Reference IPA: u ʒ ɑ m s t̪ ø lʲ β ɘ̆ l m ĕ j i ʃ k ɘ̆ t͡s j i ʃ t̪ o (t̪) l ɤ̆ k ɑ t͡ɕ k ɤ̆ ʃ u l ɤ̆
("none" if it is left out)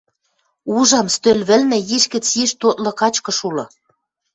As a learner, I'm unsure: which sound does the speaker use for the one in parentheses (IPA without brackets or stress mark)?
t̪